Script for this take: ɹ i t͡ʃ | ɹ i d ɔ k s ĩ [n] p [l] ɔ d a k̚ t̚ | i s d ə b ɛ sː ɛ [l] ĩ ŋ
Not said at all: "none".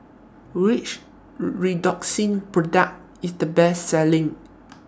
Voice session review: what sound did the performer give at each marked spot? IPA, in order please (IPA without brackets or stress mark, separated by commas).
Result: n, ɹ, l